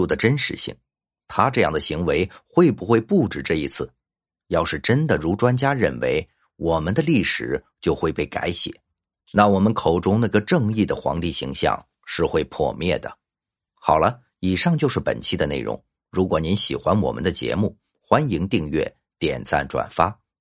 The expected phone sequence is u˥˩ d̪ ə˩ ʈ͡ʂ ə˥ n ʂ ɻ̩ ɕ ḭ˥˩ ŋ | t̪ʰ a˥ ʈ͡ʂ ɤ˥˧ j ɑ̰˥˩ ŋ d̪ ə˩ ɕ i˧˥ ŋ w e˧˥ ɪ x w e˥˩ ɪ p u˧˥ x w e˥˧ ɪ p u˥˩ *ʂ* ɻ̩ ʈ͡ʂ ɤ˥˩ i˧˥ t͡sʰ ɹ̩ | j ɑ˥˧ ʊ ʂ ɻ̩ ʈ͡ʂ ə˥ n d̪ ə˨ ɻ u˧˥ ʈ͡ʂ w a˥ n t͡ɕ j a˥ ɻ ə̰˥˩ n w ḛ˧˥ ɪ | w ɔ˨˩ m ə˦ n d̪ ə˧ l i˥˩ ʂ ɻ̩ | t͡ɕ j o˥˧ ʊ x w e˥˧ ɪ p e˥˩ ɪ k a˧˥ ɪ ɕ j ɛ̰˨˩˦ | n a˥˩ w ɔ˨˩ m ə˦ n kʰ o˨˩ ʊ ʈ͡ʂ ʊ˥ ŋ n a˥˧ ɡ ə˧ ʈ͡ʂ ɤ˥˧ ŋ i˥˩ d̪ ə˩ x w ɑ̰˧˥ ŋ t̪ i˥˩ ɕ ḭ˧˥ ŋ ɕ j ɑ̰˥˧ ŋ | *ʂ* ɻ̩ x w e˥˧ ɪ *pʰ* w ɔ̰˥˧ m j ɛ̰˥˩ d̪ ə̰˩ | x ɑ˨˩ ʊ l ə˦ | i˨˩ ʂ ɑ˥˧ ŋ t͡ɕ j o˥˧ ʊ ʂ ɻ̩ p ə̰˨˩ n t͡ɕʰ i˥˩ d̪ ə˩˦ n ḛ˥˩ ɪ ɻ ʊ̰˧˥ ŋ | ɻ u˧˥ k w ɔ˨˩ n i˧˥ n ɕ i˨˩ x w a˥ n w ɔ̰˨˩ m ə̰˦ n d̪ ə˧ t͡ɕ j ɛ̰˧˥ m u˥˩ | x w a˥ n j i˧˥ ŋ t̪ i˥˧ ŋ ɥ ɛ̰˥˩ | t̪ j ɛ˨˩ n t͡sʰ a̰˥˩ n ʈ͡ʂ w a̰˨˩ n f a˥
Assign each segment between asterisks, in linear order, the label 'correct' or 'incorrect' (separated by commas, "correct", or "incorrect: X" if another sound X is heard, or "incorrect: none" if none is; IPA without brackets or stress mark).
incorrect: ʈ͡ʂ, correct, correct